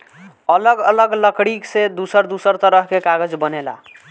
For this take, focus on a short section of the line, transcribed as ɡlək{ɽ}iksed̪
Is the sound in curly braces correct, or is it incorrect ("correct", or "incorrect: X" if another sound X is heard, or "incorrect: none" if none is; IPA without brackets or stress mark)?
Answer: correct